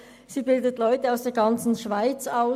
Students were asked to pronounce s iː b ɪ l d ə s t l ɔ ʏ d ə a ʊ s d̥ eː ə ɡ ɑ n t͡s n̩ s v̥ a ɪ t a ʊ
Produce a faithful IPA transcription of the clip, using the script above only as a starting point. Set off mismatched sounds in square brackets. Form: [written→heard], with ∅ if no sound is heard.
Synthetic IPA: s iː b ɪ l d ə [s→∅] t l ɔ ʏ [d→t] ə a ʊ s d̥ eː [ə→ɐ] ɡ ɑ n t͡s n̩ [s→ʃ] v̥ a ɪ [t→t͡s] a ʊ